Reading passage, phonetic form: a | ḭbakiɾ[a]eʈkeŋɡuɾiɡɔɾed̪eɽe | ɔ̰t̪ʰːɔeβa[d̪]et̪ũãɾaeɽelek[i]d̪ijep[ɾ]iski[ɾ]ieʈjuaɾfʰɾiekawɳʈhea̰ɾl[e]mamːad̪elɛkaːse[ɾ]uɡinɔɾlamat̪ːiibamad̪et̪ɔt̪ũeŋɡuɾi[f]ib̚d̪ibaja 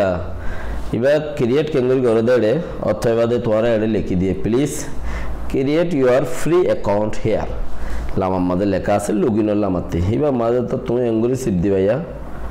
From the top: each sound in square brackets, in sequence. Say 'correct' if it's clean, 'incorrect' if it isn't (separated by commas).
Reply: incorrect, correct, correct, incorrect, correct, incorrect, incorrect, incorrect